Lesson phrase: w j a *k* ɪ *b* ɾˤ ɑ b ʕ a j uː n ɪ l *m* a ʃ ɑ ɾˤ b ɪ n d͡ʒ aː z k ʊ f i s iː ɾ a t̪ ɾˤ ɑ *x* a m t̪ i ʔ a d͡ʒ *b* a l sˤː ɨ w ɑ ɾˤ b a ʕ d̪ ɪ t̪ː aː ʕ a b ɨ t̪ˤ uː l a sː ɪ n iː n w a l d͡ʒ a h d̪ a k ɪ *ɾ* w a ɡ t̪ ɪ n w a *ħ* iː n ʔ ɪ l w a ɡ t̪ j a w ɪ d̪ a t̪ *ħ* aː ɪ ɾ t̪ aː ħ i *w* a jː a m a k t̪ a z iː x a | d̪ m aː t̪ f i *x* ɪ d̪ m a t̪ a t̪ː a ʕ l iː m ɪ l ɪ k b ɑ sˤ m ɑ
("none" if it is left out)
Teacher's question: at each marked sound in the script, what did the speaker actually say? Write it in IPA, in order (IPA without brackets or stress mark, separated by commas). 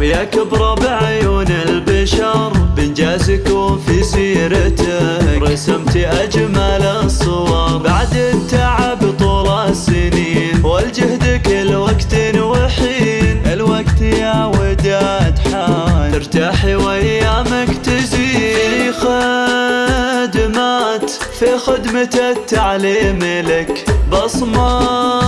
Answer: k, b, b, s, m, l, ħ, ħ, w, x